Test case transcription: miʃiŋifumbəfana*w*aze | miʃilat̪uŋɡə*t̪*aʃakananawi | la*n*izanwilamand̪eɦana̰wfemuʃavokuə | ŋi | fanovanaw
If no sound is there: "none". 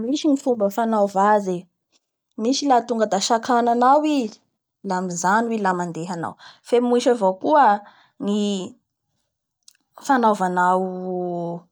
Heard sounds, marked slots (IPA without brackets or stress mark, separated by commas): v, d̪, m